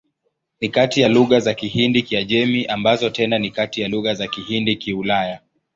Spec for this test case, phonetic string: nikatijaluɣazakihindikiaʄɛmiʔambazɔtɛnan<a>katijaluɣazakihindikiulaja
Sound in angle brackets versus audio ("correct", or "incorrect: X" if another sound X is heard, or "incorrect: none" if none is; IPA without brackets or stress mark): incorrect: i